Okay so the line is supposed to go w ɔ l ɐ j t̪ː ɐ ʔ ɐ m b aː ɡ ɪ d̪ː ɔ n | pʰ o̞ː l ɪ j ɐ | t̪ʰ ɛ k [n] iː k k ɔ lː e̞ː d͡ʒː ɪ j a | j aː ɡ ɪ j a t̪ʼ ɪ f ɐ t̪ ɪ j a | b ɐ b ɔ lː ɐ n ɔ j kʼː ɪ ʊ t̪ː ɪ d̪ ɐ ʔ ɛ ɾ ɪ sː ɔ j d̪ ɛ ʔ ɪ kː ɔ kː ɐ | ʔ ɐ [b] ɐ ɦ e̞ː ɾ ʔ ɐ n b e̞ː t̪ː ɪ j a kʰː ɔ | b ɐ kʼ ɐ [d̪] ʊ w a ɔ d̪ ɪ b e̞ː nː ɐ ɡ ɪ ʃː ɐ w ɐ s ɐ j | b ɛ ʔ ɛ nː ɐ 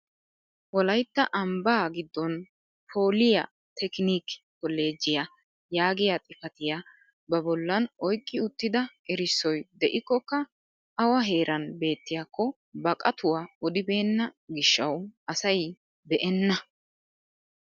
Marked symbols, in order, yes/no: yes, no, no

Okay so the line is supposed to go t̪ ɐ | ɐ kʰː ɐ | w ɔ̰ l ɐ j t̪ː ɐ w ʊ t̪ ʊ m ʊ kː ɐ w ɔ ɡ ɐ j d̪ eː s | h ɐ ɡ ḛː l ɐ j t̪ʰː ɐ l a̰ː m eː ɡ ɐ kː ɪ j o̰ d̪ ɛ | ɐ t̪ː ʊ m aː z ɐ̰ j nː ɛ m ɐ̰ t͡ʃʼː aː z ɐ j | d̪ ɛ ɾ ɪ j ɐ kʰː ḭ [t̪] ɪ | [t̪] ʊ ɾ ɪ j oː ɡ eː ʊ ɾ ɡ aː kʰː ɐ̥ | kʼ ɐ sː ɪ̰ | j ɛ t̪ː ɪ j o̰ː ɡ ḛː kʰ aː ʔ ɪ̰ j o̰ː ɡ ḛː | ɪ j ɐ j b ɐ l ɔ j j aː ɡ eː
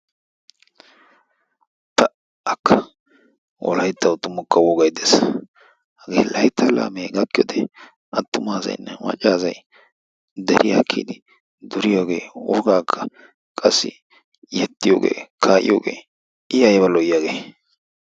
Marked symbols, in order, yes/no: no, no

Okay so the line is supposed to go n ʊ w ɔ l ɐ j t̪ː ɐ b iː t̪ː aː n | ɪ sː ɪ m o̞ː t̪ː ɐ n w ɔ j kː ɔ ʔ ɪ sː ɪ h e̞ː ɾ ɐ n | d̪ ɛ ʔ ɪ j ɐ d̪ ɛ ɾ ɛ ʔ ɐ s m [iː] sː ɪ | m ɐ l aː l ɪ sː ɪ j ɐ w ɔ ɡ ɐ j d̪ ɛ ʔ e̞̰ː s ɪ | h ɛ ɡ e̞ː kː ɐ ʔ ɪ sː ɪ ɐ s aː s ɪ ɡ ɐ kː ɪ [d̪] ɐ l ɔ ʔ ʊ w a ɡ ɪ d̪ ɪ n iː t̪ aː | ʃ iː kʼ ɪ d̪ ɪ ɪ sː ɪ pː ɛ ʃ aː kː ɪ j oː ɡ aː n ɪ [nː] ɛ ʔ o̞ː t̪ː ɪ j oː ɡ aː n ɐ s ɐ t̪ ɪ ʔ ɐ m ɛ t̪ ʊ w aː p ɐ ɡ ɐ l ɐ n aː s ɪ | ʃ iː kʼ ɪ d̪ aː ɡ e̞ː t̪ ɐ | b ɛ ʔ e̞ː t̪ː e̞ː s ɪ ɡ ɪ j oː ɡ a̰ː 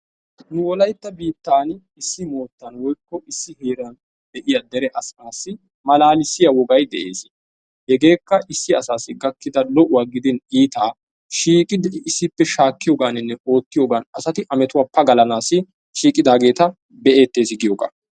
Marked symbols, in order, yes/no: no, yes, yes

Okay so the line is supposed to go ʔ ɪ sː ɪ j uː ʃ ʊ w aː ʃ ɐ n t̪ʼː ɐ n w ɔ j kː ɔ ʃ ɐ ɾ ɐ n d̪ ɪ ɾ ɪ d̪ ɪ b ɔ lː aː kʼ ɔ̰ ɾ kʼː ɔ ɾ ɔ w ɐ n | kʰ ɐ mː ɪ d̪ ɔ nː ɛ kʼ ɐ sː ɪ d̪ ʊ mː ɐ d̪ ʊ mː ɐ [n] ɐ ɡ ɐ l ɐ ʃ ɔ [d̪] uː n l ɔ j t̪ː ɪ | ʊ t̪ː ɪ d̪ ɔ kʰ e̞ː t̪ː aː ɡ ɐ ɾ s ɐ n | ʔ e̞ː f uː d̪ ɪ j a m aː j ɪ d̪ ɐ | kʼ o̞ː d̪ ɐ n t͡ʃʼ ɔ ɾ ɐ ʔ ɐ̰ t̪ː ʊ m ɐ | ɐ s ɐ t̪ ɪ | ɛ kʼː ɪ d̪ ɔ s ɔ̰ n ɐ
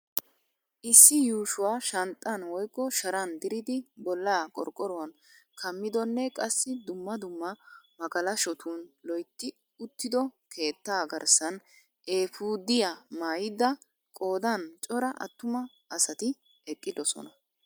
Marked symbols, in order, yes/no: no, no

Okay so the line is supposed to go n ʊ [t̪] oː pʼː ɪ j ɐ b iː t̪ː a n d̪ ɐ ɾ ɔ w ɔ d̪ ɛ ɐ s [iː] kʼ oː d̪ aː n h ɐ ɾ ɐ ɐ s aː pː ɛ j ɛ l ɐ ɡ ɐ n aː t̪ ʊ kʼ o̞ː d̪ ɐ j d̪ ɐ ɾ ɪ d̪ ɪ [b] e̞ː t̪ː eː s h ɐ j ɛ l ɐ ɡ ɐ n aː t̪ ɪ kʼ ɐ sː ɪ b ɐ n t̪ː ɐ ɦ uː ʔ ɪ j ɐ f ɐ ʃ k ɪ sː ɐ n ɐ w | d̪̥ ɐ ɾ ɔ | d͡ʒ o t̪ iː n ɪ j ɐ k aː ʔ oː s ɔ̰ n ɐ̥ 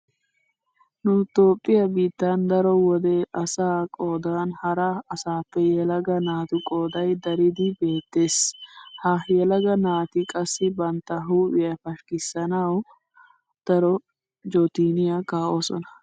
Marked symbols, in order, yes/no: yes, no, yes

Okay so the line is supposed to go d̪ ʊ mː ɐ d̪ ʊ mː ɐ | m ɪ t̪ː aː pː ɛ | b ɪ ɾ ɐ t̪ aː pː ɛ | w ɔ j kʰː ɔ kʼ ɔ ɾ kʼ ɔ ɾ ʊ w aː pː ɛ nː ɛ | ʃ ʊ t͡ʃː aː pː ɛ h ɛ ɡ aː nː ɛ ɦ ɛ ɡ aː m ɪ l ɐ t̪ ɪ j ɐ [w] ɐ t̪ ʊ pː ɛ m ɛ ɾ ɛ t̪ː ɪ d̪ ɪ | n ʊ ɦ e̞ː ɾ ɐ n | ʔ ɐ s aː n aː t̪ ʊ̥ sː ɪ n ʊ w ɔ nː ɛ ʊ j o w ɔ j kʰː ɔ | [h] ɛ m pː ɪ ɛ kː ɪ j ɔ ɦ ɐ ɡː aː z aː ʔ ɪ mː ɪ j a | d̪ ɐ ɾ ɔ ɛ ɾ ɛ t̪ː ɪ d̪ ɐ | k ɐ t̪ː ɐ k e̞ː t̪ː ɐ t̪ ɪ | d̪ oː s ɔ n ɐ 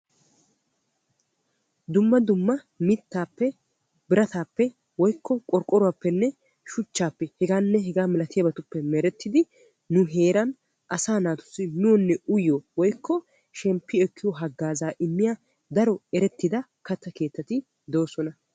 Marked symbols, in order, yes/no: no, no

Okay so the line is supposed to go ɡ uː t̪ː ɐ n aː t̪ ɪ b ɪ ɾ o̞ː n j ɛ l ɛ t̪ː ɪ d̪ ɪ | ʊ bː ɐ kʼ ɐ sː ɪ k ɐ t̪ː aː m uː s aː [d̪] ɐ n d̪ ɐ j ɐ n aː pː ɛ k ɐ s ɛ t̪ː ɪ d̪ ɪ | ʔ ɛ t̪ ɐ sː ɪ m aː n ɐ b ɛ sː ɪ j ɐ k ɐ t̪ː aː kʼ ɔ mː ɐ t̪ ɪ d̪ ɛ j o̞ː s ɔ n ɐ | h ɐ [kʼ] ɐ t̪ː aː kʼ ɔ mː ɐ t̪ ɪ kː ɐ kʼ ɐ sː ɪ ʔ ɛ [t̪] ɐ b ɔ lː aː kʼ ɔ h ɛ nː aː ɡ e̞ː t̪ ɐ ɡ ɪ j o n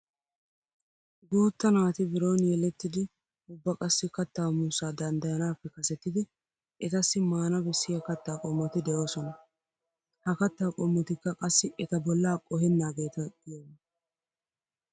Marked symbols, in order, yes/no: yes, no, yes

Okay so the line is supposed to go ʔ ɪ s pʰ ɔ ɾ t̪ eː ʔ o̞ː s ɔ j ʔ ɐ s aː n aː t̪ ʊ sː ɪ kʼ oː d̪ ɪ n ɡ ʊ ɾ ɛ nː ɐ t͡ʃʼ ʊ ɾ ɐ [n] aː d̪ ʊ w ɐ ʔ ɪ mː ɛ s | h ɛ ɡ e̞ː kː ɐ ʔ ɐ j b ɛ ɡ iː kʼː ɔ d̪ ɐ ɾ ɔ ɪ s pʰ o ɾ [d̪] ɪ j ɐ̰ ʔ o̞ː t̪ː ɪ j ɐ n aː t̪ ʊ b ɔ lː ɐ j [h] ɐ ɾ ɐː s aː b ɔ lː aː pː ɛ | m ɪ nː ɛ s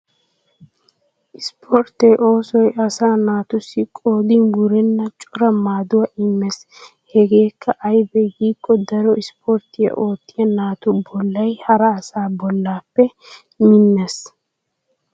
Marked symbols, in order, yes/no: no, no, yes

